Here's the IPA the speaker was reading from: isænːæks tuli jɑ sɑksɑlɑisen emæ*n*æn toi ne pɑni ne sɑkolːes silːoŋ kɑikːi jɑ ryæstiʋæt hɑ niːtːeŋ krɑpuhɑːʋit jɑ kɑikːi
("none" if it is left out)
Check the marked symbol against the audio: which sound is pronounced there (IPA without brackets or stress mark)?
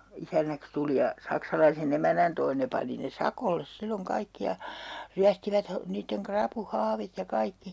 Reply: n